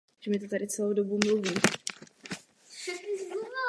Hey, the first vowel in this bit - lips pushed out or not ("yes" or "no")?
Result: no